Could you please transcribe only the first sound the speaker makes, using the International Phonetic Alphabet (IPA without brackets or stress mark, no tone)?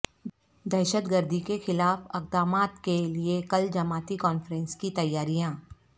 d̪